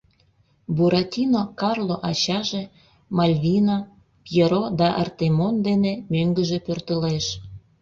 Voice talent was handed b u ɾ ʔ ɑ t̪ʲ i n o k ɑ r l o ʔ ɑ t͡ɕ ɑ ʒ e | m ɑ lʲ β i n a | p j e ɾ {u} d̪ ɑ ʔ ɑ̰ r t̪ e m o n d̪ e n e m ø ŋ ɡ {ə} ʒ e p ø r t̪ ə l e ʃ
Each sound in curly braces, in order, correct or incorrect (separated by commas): incorrect, correct